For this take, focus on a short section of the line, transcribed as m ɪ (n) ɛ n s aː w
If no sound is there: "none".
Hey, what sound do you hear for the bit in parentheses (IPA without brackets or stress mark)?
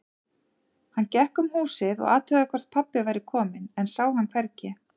n